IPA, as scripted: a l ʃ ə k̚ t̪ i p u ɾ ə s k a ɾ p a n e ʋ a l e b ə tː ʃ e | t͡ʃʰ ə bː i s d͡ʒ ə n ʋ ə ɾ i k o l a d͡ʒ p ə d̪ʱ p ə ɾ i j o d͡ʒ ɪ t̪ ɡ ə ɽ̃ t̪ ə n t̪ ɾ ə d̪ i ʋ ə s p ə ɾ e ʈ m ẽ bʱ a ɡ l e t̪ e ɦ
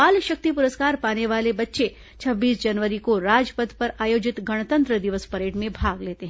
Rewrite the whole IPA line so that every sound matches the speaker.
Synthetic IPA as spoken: a l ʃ ə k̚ t̪ i p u ɾ ə s k a ɾ p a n e ʋ a l e b ə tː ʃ e | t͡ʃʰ ə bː i s d͡ʒ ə n ʋ ə ɾ i k o ɾ a d͡ʒ p ə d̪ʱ p ə ɾ a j o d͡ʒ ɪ t̪ ɡ ə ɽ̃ t̪ ə n t̪ ɾ ə d̪ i ʋ ə s p ə ɾ e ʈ m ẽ bʱ a ɡ l e t̪ e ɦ